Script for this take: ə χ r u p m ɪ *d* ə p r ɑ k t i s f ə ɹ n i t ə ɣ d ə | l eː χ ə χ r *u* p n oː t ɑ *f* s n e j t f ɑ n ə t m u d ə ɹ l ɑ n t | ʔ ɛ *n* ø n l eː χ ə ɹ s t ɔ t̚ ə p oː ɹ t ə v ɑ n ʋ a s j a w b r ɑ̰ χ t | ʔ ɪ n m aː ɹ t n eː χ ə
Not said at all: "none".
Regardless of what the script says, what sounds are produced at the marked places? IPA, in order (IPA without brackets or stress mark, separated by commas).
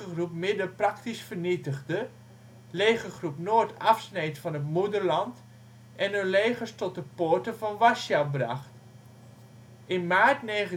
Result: d, u, f, n